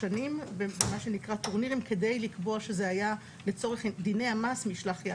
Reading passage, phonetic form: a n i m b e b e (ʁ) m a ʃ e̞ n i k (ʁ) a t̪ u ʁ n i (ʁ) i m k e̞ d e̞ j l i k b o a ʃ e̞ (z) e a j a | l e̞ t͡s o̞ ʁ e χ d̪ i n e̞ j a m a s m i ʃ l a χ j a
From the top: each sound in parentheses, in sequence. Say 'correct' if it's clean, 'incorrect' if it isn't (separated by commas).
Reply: incorrect, correct, correct, correct